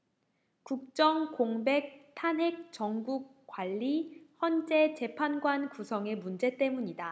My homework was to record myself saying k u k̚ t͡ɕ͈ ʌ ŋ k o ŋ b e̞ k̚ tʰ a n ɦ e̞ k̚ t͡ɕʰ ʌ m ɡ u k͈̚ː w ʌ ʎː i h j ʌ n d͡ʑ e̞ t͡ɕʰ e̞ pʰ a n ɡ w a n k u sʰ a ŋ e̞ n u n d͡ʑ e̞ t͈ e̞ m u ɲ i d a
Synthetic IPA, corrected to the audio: k u k̚ t͡ɕ͈ ʌ ŋ k o ŋ b e̞ k̚ tʰ a n ɦ e̞ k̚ t͡ɕ ʌ ŋ ɡ u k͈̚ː w a ʎː i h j ʌ n d͡ʑ e̞ t͡ɕ e̞ pʰ a n ɡ w a n k u sʰ ʌ ŋ e̞ m u n d͡ʑ e̞ t͈ e̞ m u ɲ i d a